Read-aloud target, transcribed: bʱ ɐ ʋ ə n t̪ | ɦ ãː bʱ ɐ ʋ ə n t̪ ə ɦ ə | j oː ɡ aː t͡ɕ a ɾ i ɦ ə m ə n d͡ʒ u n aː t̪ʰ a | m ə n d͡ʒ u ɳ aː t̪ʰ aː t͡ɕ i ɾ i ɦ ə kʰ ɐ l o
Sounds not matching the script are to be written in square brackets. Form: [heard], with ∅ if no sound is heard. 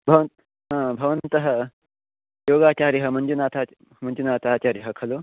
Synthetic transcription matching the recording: bʱ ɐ ʋ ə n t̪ | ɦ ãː bʱ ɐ ʋ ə n t̪ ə ɦ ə | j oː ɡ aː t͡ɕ a ɾ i ɦ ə m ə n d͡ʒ u n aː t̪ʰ a | m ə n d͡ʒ u [n] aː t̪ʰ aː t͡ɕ [a] ɾ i ɦ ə kʰ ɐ l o